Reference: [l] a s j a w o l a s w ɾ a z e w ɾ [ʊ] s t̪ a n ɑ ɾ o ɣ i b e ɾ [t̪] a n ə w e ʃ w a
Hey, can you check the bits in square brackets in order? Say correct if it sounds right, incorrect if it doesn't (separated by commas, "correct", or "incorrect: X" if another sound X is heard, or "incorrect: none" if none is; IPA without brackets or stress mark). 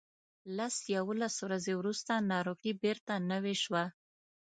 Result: correct, incorrect: u, correct